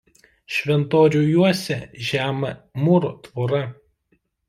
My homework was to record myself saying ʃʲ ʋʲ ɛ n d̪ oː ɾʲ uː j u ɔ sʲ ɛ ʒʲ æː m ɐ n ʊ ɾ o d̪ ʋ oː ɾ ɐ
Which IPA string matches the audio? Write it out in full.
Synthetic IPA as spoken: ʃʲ ʋʲ ɛ n t̪ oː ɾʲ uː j u ɔ sʲ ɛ ʒʲ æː m ɐ m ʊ ɾ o t̪ ʋ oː ɾ ɐ